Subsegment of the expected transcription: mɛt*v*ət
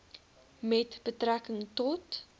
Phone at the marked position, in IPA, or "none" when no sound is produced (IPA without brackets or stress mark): b